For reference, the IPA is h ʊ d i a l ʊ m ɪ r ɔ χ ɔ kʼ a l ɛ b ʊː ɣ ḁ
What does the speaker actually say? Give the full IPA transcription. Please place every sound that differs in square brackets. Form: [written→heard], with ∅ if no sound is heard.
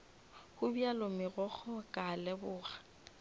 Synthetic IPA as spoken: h ʊ [d→b] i a l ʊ m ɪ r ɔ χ ɔ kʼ a l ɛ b ʊː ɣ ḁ